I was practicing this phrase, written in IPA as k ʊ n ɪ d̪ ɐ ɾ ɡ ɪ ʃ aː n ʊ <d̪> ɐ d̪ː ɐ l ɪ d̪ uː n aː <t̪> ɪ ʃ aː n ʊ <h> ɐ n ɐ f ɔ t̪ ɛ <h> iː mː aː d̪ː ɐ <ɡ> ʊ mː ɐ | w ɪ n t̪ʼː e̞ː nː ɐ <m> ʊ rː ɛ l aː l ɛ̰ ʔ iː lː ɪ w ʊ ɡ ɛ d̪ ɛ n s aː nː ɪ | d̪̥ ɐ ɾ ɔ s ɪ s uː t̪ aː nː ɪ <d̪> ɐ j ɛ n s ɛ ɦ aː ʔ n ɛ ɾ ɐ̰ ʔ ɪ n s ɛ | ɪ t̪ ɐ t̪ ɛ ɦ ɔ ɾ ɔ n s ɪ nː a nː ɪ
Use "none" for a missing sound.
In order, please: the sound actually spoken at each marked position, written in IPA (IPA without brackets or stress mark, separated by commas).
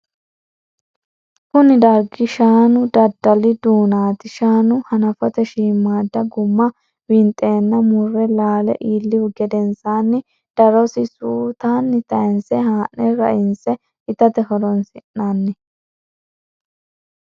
d̪, t̪, h, ʃ, ɡ, m, t̪